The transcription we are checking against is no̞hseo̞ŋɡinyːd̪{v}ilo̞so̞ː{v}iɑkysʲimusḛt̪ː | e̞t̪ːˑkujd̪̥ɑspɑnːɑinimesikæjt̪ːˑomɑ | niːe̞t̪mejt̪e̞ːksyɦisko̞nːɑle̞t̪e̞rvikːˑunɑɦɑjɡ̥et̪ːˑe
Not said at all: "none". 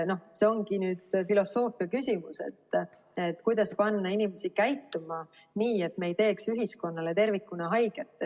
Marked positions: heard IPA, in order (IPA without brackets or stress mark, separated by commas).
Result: f, f